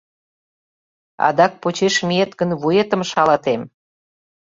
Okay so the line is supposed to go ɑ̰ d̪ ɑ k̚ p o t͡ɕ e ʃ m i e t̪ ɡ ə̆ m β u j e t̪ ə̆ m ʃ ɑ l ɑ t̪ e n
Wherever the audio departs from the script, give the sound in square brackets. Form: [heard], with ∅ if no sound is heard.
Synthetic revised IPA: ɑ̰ d̪ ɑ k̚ p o t͡ɕ e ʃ m i e t̪ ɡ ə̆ [n] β u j e t̪ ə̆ m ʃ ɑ l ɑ t̪ e [m]